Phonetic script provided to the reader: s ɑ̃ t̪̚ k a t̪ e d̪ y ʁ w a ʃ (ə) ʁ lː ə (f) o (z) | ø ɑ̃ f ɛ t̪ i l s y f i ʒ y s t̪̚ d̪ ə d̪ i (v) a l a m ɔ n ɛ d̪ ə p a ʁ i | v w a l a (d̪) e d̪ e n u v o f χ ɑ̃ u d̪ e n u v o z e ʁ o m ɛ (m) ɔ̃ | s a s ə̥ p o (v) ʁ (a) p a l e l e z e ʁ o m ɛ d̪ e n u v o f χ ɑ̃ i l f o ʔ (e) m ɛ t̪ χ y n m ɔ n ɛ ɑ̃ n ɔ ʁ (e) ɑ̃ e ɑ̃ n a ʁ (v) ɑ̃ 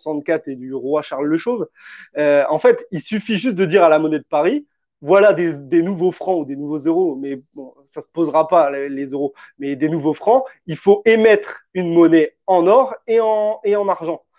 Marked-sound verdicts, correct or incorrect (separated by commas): incorrect, incorrect, incorrect, incorrect, correct, incorrect, incorrect, correct, correct, correct, incorrect